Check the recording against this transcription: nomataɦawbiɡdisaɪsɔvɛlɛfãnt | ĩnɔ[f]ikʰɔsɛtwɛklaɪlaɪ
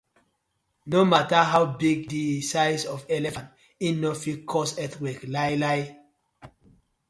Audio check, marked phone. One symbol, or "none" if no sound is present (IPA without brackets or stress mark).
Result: f